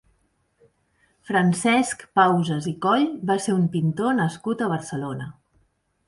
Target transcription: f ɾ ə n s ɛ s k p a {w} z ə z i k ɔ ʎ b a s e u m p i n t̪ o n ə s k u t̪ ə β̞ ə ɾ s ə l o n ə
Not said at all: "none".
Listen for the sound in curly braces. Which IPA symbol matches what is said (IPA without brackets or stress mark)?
w